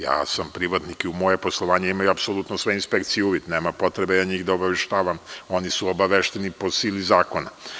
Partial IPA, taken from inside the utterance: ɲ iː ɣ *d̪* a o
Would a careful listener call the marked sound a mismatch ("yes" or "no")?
no